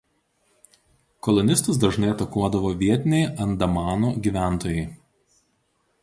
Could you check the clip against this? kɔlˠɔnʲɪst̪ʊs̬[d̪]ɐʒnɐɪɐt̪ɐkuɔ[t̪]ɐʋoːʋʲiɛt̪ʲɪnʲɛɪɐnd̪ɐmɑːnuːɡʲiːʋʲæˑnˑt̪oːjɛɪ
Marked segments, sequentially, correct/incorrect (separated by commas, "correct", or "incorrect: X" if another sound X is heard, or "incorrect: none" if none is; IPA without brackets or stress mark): correct, incorrect: d̪